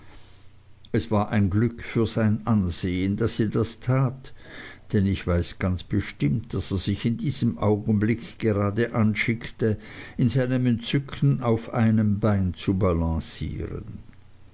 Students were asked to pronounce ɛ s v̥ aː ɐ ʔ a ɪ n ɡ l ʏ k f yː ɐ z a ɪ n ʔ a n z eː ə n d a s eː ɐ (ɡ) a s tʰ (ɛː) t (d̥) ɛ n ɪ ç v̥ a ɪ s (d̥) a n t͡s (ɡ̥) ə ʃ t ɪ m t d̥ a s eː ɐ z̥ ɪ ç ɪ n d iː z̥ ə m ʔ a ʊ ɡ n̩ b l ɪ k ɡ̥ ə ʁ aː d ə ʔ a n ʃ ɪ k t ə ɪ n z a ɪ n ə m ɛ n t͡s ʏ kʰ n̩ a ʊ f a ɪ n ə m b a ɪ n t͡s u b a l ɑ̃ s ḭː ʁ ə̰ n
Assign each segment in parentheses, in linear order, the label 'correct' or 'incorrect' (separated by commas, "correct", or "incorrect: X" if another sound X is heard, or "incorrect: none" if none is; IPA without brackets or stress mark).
incorrect: d, incorrect: aː, correct, incorrect: ɡ̥, incorrect: b̥